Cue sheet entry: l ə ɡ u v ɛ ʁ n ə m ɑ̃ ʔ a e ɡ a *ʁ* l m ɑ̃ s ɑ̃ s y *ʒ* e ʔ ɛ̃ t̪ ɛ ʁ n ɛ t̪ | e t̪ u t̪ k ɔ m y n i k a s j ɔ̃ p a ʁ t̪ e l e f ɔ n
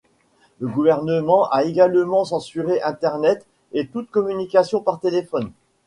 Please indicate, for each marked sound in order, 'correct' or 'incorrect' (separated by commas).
incorrect, incorrect